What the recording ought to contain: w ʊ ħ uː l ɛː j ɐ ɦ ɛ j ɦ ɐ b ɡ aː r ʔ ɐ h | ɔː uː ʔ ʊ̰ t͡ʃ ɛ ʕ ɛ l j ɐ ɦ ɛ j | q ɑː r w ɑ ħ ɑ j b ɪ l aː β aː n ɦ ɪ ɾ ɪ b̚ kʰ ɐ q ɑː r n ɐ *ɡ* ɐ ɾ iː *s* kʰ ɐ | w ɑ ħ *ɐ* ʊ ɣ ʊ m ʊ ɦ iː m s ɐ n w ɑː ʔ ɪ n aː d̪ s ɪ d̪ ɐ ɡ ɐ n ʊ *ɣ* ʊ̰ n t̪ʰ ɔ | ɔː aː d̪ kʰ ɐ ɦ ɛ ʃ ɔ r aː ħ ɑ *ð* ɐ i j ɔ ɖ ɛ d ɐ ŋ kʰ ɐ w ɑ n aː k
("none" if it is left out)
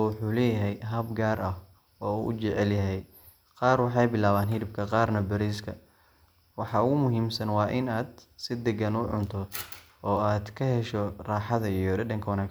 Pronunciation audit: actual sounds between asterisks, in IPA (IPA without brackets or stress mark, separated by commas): b, s, ɑ, ʕ, ð